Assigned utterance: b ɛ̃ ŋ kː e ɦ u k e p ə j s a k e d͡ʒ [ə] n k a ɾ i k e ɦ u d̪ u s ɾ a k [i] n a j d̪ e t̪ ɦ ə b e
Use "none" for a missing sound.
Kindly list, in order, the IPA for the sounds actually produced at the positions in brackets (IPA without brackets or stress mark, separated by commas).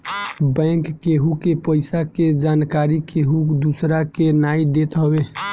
a, e